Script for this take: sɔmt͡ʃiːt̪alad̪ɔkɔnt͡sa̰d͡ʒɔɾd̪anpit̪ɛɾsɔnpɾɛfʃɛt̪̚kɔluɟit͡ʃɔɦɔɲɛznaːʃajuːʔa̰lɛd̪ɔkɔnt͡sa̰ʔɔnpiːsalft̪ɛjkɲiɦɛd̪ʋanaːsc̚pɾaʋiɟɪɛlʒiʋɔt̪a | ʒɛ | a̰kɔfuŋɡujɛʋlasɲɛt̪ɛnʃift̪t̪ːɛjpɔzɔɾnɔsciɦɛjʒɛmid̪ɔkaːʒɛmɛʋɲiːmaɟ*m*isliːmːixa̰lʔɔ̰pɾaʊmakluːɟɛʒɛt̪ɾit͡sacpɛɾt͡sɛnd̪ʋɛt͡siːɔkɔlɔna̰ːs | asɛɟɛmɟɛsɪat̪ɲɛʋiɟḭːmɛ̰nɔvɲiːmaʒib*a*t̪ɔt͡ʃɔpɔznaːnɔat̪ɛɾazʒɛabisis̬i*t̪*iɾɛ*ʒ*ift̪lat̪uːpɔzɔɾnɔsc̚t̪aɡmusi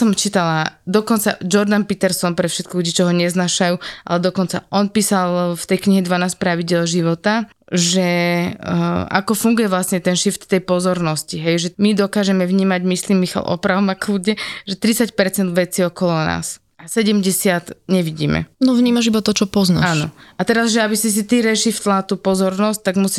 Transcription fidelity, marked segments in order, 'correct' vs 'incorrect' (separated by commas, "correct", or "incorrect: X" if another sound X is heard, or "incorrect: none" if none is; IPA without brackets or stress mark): correct, correct, correct, incorrect: ʃ